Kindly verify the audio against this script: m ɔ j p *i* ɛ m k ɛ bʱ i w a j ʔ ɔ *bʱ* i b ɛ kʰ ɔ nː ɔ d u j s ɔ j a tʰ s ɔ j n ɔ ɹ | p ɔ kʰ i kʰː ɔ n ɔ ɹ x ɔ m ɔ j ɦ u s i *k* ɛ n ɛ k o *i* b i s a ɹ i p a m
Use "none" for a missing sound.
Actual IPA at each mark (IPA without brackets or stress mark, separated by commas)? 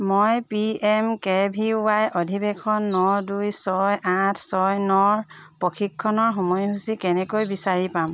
i, dʱ, k, j